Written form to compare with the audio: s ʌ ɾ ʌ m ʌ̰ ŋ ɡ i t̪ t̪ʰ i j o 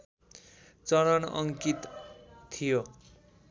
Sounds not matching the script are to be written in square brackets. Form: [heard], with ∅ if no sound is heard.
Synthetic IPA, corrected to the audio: [t͡s] ʌ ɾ ʌ [n] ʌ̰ ŋ [k] i t̪ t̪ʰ i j o